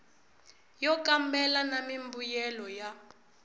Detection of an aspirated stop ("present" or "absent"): absent